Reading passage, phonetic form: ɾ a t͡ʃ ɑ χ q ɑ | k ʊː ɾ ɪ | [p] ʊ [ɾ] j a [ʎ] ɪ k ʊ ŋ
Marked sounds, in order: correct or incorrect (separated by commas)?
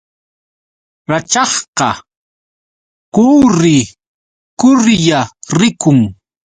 incorrect, correct, incorrect